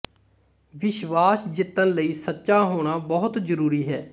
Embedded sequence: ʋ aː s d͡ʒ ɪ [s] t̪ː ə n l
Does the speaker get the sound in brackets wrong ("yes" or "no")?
yes